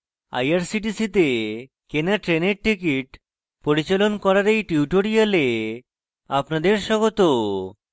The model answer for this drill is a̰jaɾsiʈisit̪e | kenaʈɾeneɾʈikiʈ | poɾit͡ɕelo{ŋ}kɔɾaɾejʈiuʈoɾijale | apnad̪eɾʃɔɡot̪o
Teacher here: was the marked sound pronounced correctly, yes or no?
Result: no